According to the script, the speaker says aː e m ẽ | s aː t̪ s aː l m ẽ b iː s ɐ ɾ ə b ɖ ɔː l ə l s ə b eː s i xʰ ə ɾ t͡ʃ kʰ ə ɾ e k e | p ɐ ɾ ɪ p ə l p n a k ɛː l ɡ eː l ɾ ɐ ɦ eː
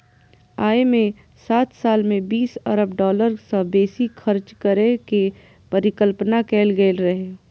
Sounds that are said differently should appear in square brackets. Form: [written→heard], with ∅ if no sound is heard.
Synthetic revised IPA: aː e m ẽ | s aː t̪ s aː l m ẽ b iː s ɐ ɾ ə b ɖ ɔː l ə [l→ɾ] s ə b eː s i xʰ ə ɾ t͡ʃ [kʰ→k] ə ɾ e k e | p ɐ ɾ ɪ [p→k] ə l p n a k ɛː l ɡ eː l ɾ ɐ ɦ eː